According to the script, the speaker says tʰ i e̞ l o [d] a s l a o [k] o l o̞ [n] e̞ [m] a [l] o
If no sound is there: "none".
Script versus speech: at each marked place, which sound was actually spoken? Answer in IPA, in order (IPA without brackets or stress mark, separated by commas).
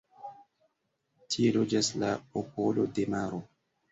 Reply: d͡ʒ, p, d, m, ɾ